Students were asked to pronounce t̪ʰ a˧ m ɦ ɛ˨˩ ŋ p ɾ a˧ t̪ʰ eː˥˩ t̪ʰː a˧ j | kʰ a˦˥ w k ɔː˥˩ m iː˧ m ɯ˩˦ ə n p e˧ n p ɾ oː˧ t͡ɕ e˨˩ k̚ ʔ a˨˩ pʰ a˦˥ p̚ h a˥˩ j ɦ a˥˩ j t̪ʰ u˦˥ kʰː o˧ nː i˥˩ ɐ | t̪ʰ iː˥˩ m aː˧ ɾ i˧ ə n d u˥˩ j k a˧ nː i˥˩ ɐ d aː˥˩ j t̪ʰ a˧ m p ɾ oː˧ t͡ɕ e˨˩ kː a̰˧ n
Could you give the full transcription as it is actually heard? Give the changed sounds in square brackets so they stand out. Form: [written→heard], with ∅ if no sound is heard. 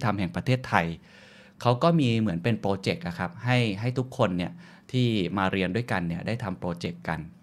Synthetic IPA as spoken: t̪ʰ a˧ m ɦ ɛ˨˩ ŋ p ɾ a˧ t̪ʰ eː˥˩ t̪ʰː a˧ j | kʰ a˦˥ w k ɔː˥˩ m iː˧ m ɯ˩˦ ə n p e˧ n p ɾ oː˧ t͡ɕ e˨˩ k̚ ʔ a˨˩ [pʰ→kʰ] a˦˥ p̚ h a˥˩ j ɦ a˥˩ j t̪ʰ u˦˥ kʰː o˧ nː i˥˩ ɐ | t̪ʰ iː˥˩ m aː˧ ɾ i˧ ə n d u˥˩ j k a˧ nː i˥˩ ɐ d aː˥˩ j t̪ʰ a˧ m p ɾ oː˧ t͡ɕ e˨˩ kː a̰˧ n